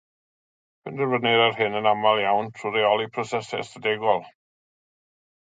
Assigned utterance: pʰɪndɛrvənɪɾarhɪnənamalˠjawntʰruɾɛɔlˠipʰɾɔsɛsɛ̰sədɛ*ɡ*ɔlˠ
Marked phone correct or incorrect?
correct